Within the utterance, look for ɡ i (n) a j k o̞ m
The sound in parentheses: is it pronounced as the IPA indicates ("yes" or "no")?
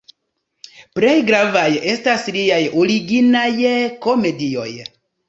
yes